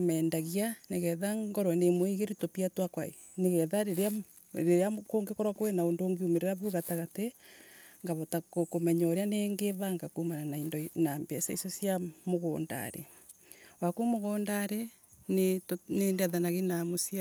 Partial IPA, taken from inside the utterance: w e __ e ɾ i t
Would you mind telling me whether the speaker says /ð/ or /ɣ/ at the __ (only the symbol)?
ɣ